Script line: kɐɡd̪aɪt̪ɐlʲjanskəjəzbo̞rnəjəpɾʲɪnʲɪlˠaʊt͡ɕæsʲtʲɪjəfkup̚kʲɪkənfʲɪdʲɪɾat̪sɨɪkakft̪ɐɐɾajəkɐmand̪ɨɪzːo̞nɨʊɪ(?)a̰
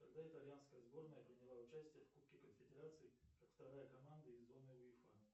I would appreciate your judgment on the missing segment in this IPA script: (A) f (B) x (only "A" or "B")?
A